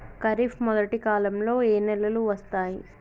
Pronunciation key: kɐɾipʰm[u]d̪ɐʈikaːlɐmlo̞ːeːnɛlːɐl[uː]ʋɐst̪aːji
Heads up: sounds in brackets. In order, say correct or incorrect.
incorrect: ɔ, incorrect: u

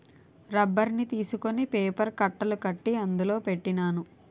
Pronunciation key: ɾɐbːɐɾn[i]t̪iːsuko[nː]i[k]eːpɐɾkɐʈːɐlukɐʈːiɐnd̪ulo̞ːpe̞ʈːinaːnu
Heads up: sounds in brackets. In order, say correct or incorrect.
correct, incorrect: n, incorrect: p

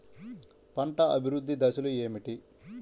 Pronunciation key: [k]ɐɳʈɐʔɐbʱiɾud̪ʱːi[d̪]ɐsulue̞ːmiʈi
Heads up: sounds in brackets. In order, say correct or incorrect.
incorrect: p, correct

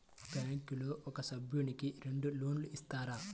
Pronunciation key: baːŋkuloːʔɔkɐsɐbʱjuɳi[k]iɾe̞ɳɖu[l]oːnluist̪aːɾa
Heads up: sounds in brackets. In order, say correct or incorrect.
correct, correct

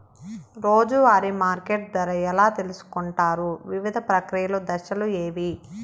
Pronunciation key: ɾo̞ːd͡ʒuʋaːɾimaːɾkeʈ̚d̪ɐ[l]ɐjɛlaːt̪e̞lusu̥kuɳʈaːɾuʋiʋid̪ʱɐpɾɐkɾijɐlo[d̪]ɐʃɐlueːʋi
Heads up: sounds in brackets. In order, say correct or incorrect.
incorrect: ɾ, correct

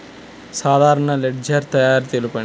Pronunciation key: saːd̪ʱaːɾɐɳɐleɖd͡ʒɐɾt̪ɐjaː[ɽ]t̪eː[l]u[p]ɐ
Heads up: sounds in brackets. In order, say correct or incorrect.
incorrect: ɾ, correct, correct

